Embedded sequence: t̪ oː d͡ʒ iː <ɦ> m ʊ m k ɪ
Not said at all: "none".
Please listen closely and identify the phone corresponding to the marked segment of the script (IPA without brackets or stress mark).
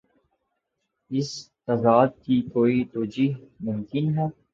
ɦ